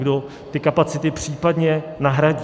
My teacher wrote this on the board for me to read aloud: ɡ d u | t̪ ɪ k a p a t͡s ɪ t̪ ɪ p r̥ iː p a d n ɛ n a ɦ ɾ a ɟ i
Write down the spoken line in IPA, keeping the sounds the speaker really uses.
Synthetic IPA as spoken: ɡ d o | t̪ ɪ k a p a t͡s ɪ t̪ ɪ p r̥ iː p a d ɲ ɛ n a ɦ ɾ a ɟ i